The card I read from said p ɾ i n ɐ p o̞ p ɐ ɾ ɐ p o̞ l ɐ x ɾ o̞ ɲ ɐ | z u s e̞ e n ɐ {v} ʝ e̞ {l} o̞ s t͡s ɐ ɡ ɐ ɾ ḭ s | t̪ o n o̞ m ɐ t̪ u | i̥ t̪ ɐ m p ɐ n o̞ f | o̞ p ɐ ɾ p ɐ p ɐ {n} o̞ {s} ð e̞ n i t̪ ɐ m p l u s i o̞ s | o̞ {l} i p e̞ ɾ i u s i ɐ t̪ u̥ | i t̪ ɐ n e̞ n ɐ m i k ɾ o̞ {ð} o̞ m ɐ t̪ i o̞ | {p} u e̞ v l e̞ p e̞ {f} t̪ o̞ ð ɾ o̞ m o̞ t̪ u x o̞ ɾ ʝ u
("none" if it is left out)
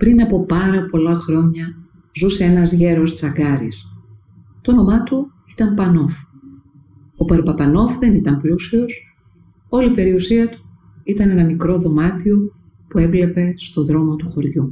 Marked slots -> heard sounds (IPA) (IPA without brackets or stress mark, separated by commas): z, ɾ, n, f, l, ð, p, s